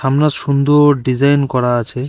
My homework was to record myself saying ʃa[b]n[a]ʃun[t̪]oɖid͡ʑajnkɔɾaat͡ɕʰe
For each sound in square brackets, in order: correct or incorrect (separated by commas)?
incorrect, correct, incorrect